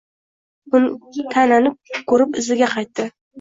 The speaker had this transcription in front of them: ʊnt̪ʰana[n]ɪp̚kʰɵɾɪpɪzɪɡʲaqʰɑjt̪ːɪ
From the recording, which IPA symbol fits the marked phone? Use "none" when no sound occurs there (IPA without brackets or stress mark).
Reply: n